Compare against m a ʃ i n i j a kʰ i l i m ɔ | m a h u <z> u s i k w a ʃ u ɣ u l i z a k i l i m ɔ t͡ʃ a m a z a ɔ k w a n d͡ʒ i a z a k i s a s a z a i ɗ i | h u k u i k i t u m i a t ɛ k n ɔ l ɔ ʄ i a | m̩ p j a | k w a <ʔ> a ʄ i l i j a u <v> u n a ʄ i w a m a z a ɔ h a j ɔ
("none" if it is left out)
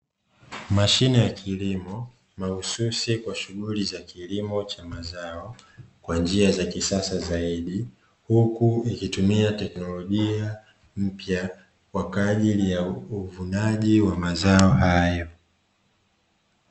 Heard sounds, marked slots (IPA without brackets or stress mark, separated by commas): s, k, v